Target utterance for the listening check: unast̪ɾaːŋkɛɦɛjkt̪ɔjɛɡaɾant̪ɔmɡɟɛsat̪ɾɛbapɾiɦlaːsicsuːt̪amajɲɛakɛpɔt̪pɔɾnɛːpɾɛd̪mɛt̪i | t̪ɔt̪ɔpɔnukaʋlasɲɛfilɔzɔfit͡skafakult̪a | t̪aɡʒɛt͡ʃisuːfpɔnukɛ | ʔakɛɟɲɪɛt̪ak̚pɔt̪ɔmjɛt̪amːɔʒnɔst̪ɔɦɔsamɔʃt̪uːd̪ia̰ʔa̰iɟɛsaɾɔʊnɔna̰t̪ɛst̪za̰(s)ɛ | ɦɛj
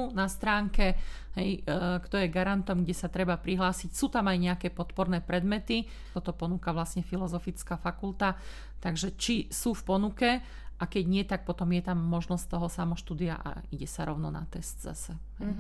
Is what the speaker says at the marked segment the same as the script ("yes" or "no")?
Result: yes